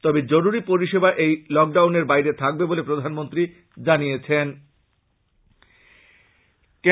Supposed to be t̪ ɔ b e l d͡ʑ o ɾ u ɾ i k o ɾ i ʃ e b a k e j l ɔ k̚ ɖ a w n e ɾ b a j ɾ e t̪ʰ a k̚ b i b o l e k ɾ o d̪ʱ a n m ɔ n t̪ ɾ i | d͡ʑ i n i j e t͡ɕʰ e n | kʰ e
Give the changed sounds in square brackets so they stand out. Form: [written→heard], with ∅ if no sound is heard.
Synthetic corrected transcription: t̪ ɔ b e [l→∅] d͡ʑ o ɾ u ɾ i [k→p] o ɾ i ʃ e b a [k→ʔ] e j l ɔ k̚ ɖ a w n e ɾ b a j ɾ e t̪ʰ a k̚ b [i→e] b o l e [k→p] ɾ o d̪ʱ a n m [ɔ→o] n t̪ ɾ i | d͡ʑ [i→a] n i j e t͡ɕʰ e n | [kʰ→k] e